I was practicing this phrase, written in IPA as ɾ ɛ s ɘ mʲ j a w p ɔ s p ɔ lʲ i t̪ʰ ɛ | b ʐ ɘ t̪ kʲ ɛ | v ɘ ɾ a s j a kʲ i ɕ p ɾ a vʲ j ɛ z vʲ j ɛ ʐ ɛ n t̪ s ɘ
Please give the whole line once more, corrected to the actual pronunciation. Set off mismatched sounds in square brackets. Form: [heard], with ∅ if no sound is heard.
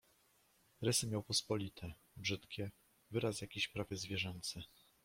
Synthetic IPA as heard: ɾ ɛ s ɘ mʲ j a w p ɔ s p ɔ lʲ i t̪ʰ ɛ | b ʐ ɘ t̪ kʲ ɛ | v ɘ ɾ a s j a kʲ i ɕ p ɾ a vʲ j ɛ z vʲ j ɛ ʐ ɛ n t̪ s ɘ